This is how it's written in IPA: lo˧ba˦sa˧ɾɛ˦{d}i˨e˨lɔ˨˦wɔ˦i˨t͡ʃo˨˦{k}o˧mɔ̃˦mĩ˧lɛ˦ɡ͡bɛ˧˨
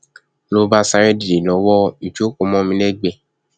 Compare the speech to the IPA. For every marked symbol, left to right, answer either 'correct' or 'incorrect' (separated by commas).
correct, correct